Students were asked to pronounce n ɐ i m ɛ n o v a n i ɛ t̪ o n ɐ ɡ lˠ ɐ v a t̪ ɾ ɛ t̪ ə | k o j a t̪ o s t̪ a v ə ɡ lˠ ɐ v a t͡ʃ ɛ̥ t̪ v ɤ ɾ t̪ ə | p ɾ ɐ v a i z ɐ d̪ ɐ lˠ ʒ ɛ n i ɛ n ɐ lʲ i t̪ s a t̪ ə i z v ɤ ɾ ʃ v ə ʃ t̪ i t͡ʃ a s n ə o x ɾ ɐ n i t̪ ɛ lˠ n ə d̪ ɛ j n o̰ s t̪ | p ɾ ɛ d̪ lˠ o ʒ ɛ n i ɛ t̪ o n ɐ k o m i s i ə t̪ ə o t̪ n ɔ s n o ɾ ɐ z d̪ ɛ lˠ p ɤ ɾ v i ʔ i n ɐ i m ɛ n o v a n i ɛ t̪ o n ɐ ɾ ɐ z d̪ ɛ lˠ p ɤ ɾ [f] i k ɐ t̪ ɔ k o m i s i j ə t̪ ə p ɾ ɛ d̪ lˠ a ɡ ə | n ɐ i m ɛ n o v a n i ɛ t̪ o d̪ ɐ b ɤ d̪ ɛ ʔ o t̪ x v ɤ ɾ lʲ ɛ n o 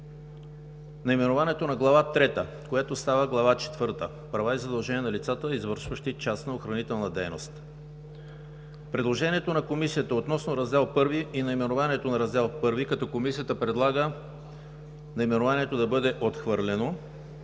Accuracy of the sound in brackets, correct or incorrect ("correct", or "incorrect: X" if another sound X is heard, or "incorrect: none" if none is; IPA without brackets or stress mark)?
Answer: incorrect: v